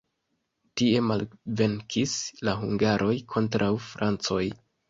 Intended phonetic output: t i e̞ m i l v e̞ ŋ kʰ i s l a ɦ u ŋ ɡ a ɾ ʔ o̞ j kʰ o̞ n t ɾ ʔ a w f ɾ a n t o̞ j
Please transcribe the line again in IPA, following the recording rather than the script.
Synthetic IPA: t i e̞ m a l v e̞ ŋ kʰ i s l a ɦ u ŋ ɡ a ɾ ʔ o̞ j kʰ o̞ n t ɾ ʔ a w f ɾ a n t͡s o̞ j